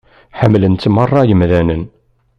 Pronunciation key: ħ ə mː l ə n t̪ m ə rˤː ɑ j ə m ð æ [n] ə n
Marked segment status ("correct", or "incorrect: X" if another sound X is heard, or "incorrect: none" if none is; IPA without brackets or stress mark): correct